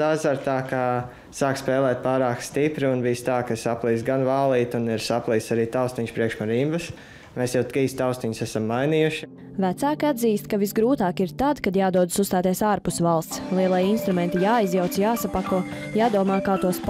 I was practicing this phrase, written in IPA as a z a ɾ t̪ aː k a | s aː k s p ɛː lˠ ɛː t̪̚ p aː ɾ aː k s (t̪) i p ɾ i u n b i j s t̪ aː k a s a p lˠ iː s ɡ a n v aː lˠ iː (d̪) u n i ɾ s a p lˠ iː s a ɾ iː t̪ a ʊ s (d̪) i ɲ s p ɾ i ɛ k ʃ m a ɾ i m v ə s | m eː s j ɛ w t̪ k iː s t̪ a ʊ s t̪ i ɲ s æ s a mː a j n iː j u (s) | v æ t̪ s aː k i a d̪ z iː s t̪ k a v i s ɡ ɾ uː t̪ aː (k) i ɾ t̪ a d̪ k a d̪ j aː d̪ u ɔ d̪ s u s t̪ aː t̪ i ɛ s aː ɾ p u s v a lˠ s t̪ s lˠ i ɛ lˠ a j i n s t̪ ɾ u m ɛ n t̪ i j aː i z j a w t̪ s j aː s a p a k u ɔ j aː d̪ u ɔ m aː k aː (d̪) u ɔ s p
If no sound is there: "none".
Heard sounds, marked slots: t̪, t̪, t̪, ʃ, k, t̪

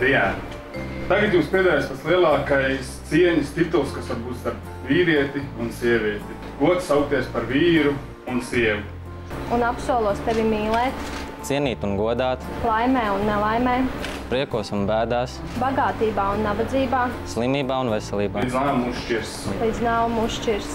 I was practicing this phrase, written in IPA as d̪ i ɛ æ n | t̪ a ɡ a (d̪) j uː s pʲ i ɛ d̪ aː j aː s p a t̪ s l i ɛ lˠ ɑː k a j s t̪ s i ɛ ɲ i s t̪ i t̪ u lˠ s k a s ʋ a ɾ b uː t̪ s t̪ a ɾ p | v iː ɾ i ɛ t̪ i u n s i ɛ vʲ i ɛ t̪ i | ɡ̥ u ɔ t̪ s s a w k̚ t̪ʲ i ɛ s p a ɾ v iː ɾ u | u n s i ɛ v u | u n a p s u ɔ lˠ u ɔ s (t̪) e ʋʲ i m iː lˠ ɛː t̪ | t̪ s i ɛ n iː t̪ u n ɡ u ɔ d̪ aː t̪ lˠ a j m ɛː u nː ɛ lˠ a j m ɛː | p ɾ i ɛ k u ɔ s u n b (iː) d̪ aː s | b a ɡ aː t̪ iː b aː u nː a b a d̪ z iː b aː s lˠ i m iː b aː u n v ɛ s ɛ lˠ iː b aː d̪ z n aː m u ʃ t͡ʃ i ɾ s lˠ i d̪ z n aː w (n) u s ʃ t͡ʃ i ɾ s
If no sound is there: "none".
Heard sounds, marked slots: t̪, t̪, æː, m

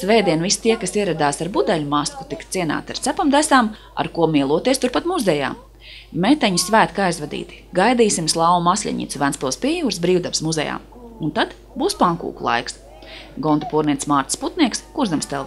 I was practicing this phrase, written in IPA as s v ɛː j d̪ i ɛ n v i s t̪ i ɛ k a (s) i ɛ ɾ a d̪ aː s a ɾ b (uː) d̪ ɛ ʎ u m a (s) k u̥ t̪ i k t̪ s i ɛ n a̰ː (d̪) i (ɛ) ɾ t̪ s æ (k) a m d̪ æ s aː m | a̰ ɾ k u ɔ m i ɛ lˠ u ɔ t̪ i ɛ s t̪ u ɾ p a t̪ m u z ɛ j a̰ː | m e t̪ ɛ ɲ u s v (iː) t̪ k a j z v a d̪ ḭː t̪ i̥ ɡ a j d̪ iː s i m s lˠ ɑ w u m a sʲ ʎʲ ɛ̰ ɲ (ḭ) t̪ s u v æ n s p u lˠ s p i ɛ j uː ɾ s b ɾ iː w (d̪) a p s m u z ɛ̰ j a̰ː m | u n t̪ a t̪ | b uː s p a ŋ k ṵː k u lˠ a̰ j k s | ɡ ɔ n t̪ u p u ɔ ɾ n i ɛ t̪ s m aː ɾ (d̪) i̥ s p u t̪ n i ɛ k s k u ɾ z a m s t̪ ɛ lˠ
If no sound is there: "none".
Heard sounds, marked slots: s, u, s, t̪, a, p, æː, ḭ, d̪, t̪

